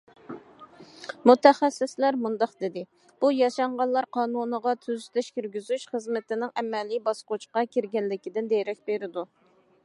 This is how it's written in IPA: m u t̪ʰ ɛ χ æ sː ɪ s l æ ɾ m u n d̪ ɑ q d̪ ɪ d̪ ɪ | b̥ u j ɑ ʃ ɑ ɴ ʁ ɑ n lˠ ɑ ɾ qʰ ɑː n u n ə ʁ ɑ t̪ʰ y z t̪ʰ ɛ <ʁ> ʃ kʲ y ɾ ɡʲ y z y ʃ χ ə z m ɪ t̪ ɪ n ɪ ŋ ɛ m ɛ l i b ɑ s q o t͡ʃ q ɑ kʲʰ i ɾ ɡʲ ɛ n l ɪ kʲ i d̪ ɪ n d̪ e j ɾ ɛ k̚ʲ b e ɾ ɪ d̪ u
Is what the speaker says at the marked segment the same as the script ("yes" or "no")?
no